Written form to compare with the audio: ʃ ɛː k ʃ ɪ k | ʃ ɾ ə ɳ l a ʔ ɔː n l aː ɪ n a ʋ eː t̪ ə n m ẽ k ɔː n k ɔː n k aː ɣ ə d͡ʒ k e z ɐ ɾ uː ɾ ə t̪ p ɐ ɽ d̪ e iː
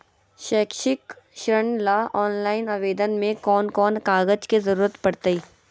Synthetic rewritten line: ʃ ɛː k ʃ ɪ k | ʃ ɾ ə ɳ l a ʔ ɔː n l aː ɪ n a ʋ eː d̪ ə n m ẽ k ɔː n k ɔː n k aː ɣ ə d͡ʒ k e z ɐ ɾ uː ɾ ə t̪ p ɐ ɽ t̪ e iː